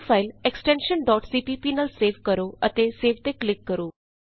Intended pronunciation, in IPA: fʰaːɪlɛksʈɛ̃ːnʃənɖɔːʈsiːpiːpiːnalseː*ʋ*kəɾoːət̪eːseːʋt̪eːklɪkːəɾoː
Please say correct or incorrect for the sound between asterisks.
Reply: correct